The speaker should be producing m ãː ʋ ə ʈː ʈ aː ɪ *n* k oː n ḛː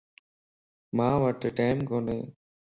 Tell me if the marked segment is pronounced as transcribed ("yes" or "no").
no